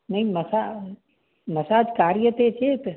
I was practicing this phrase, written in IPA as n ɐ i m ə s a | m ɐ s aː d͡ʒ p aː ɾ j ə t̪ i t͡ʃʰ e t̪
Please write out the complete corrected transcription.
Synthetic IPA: n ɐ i m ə s a | m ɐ s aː d͡ʒ k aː ɾ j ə t̪ e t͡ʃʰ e t̪